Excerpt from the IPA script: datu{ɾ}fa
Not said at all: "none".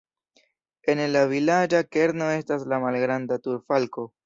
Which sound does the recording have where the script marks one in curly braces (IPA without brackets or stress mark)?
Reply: ɾ